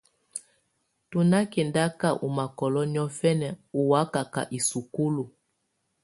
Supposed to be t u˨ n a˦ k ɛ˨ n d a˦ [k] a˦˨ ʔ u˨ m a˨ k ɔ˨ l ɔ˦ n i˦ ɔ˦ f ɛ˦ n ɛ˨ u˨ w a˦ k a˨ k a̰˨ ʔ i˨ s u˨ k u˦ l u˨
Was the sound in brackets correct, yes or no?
yes